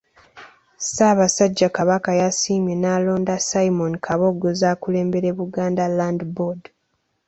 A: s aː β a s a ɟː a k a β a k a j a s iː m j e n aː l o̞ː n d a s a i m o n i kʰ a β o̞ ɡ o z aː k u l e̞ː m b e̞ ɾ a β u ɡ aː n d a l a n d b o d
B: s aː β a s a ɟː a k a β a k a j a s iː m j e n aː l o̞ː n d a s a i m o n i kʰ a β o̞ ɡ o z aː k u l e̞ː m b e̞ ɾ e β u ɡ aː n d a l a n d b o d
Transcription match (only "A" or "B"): B